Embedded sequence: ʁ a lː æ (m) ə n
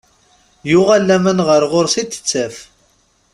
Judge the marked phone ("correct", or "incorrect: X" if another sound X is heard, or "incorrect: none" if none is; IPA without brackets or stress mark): correct